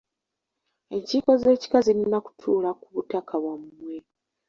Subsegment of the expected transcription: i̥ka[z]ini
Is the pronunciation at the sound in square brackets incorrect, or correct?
correct